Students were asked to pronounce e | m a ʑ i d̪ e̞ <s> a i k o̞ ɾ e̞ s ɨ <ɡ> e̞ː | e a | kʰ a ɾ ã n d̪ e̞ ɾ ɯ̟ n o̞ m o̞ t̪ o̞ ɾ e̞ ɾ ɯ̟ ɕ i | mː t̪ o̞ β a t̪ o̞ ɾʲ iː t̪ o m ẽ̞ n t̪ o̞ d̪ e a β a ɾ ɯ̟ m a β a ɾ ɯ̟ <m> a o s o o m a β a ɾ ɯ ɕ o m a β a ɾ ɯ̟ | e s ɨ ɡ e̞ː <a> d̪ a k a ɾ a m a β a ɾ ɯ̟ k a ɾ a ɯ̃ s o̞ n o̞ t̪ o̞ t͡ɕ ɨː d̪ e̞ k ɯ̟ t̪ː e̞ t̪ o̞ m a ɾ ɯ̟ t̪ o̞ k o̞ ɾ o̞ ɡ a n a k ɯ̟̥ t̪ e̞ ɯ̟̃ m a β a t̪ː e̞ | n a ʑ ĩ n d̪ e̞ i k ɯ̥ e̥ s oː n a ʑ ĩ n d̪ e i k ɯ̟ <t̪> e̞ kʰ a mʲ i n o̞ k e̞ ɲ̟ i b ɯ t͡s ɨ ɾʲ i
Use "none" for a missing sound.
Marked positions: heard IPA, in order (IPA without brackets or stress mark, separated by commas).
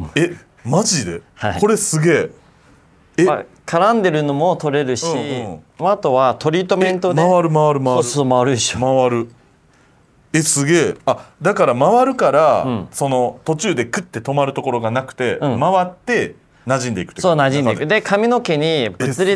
h, ɡ, m, a, d̪